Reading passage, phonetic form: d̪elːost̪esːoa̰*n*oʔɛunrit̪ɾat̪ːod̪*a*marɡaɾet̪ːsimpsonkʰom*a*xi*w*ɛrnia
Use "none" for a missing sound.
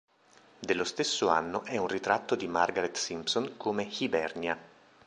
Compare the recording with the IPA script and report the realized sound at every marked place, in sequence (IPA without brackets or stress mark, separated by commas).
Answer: nː, i, e, b